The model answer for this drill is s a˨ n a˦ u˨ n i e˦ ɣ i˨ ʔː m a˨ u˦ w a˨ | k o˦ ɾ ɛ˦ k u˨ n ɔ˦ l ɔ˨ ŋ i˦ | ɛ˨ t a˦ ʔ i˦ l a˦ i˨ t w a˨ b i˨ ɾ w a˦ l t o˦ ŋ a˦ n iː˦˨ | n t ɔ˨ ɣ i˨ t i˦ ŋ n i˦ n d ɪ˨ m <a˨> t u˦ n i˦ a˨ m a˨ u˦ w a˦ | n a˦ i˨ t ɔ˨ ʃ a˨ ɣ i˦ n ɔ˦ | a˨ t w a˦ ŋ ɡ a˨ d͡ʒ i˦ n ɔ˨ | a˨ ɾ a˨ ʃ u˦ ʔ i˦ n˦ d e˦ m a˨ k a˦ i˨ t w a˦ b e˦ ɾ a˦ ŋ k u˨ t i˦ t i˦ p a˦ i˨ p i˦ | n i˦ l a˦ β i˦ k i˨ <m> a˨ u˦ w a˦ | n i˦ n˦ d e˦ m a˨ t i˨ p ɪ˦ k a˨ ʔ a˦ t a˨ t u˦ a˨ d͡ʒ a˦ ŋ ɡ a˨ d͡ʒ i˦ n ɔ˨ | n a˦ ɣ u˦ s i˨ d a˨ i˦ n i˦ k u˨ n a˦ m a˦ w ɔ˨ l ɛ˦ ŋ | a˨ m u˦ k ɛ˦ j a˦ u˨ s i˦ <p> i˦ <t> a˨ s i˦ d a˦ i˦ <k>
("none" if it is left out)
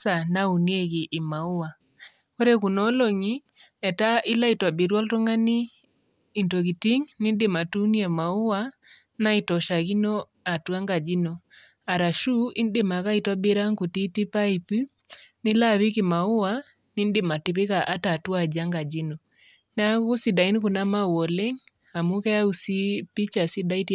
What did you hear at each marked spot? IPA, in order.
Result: a˨, m, p, t͡ʃ, t

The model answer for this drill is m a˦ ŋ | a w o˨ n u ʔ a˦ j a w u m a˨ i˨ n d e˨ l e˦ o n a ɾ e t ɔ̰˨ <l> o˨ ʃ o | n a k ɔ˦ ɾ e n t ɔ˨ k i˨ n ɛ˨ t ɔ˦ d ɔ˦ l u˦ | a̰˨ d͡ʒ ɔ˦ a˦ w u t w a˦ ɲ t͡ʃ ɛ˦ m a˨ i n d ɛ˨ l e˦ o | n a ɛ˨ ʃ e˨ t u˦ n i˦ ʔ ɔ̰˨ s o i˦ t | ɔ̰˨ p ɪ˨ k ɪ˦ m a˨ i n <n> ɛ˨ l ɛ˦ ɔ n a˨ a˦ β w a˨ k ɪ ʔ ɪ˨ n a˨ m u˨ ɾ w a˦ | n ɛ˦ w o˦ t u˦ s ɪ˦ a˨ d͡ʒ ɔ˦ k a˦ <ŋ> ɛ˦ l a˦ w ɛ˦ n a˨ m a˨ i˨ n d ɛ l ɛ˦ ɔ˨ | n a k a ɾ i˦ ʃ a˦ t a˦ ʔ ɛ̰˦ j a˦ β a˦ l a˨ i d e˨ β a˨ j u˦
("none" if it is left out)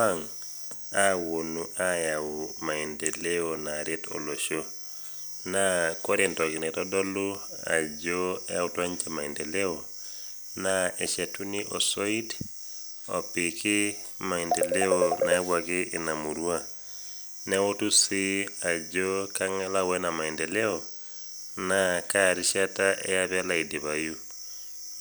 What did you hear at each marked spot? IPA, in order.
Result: l, d, ŋ

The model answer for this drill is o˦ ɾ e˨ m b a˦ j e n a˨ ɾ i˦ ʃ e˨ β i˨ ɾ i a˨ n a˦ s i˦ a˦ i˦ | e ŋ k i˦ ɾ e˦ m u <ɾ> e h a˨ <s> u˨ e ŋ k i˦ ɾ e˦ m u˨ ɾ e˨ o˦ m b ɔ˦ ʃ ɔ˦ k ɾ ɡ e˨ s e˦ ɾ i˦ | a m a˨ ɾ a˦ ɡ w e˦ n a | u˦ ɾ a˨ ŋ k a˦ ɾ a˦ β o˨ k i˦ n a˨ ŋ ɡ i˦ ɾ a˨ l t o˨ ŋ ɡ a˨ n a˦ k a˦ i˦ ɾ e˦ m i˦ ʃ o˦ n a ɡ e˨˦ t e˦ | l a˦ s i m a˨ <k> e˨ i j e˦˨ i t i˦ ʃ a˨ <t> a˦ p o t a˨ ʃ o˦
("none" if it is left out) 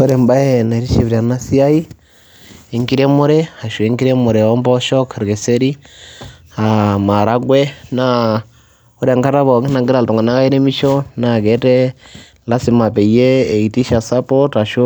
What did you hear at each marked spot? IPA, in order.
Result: ɾ, ʃ, p, s

